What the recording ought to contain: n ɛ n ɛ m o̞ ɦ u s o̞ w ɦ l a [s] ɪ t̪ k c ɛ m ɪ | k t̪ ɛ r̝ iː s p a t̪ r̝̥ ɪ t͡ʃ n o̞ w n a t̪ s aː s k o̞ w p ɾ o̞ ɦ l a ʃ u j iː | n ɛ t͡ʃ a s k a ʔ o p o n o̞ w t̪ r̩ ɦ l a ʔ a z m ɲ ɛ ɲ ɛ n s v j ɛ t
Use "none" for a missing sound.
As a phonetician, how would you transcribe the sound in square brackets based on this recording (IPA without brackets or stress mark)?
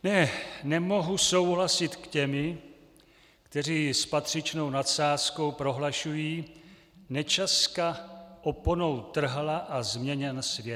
s